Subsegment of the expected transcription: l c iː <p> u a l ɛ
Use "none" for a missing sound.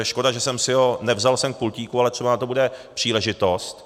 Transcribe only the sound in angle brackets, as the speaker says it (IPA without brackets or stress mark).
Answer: k